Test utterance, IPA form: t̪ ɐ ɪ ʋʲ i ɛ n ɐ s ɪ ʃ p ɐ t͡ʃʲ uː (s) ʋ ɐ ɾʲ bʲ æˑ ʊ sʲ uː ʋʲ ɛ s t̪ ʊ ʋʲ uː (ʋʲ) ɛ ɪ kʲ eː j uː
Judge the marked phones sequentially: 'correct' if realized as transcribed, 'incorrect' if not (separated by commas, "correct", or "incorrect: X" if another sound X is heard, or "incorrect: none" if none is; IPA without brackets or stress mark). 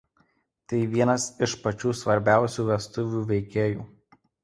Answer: correct, correct